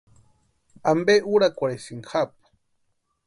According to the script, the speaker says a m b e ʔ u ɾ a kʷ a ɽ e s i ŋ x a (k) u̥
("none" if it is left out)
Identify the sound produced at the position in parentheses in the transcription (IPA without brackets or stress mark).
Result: p